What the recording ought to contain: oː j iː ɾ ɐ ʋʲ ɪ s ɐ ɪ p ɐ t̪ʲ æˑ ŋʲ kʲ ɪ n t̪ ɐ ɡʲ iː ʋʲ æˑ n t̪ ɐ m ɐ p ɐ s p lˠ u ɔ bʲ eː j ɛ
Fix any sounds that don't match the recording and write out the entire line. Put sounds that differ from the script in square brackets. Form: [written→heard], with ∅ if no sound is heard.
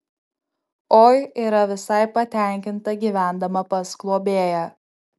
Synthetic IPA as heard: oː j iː ɾ ɐ ʋʲ ɪ s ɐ ɪ p ɐ t̪ʲ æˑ ŋʲ kʲ ɪ n t̪ ɐ ɡʲ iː ʋʲ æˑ n [t̪→d̪] ɐ m ɐ p ɐ s [p→k] lˠ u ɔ bʲ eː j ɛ